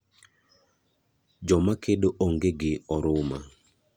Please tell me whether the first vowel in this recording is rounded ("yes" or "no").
yes